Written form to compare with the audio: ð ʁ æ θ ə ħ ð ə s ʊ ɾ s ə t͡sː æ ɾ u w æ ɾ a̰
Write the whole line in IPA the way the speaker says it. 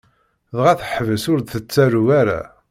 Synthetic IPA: ð ʁ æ θ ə ħ v ə s ʊ ɾ θ ə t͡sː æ ɾ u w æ ɾ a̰